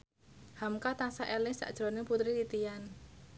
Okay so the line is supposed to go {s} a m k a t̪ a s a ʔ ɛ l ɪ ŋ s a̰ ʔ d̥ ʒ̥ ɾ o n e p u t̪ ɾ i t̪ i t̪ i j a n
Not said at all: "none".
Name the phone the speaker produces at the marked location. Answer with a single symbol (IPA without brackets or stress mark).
h